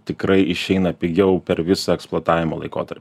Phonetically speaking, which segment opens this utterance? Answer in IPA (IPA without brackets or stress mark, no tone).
t̪ʲ